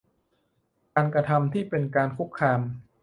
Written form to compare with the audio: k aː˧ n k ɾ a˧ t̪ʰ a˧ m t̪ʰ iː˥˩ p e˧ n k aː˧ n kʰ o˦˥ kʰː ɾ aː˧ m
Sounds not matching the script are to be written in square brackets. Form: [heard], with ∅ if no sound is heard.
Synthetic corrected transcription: k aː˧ n k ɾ a˧ t̪ʰ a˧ m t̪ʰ iː˥˩ p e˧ n k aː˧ n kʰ [u˦˥] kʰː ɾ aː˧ m